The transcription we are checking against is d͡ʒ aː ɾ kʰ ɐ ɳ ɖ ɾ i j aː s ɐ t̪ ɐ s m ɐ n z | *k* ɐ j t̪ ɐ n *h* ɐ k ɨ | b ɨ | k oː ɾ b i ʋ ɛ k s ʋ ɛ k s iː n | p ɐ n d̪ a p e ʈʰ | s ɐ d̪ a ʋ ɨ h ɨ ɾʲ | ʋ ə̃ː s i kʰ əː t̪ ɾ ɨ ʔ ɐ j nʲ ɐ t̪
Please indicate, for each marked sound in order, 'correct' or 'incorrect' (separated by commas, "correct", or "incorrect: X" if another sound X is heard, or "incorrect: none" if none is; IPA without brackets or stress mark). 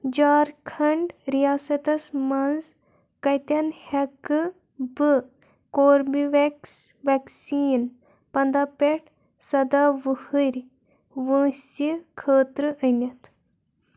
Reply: correct, correct